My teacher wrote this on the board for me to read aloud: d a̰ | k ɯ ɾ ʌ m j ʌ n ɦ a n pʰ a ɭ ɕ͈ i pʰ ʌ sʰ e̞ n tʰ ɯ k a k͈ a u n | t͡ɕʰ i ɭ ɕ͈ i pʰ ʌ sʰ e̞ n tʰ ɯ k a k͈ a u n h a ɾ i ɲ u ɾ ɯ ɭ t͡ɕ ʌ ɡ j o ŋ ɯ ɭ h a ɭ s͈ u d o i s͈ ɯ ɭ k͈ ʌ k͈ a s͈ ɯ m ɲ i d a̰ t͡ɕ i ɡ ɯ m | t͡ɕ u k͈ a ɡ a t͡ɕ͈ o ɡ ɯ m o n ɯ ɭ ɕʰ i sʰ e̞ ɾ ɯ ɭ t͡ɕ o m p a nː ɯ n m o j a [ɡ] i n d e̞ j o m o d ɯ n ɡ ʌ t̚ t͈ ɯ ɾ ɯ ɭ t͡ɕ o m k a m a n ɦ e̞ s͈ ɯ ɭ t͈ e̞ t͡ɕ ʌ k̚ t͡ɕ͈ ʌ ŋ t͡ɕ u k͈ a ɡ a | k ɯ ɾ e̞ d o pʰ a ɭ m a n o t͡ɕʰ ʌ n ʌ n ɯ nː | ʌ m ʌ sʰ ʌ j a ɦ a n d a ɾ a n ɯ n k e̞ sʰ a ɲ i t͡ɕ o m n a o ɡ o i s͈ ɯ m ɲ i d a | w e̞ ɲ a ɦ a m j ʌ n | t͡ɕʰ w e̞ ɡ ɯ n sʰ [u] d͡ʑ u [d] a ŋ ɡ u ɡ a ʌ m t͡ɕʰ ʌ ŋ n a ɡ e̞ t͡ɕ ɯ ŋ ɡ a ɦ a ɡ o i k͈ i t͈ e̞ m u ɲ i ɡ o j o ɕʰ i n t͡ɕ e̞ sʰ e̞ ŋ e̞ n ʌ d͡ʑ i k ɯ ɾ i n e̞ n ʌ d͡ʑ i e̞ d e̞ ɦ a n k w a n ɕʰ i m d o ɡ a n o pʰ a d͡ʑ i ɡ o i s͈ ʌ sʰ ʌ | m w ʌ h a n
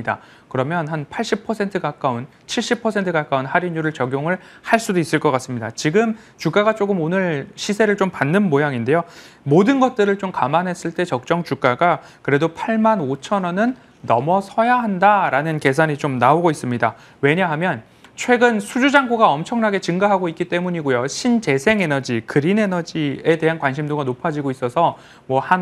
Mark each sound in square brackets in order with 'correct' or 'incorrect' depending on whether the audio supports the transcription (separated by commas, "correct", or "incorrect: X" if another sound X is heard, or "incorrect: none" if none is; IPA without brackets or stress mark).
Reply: incorrect: ŋ, correct, incorrect: d͡ʑ